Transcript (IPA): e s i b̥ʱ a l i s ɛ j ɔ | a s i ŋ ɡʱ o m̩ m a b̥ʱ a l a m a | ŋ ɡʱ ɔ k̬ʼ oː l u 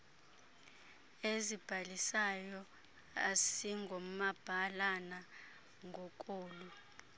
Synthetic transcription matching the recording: e z i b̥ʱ a l i s a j ɔ | a s i ŋ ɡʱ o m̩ m a b̥ʱ a l a n a | ŋ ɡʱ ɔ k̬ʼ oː l u